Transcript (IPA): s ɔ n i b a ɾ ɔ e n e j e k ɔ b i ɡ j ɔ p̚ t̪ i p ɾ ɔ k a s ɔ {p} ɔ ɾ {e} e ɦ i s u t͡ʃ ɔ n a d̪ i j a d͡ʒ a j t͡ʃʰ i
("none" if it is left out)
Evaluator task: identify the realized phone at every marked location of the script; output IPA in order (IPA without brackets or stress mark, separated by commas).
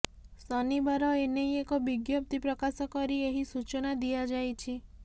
k, i